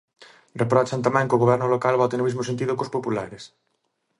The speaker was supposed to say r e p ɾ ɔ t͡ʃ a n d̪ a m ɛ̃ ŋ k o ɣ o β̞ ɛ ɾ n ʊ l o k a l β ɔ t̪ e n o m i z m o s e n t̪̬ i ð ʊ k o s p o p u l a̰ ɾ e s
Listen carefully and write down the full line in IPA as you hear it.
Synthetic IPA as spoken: r e p ɾ ɔ t͡ʃ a n t̪ a m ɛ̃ ŋ k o ɣ o β̞ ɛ ɾ n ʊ l o k a l β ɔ t̪ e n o m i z m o s e n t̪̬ i ð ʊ k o s p o p u l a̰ ɾ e s